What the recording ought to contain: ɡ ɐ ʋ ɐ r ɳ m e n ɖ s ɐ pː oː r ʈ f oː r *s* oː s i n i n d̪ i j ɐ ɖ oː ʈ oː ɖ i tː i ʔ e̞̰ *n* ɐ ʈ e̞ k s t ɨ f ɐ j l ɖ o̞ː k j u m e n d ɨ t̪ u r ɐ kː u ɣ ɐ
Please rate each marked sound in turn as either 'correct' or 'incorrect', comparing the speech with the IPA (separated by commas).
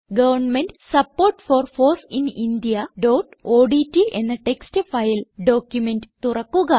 incorrect, incorrect